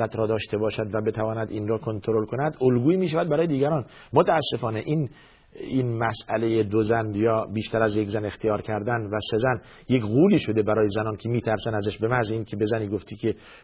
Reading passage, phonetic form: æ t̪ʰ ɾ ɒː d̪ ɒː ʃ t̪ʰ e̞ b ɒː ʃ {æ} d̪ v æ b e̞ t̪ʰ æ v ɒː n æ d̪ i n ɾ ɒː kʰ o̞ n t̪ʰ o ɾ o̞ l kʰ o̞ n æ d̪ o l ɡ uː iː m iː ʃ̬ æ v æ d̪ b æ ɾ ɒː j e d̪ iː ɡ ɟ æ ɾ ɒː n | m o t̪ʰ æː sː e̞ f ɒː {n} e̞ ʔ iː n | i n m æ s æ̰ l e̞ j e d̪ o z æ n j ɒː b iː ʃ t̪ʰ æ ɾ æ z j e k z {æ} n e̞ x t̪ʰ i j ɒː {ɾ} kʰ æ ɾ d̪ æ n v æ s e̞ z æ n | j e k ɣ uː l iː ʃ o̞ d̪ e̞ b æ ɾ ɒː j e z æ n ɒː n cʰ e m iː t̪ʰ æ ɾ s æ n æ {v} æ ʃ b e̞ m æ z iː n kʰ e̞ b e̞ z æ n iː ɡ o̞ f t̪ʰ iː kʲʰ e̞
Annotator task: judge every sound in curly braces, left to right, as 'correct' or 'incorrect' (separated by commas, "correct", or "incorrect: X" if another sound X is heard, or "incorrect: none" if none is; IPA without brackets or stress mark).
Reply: correct, correct, correct, correct, incorrect: z